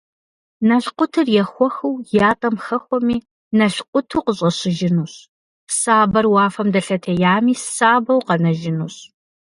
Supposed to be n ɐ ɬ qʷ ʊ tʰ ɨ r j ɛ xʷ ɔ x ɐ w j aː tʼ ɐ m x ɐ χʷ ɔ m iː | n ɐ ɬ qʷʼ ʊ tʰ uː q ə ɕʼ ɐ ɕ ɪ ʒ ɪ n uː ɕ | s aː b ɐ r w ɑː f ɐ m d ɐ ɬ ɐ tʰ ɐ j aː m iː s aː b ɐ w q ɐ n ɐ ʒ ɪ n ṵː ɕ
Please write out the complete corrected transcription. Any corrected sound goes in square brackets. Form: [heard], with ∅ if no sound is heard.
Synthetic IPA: n ɐ ɬ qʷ ʊ tʰ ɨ r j ɛ xʷ ɔ x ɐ w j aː tʼ ɐ m x ɐ [xʷ] ɔ m iː | n ɐ ɬ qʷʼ ʊ tʰ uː q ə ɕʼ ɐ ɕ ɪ ʒ ɪ n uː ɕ | s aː b ɐ r w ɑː f ɐ m d ɐ ɬ ɐ tʰ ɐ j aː m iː s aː b ɐ w q ɐ n ɐ ʒ ɪ n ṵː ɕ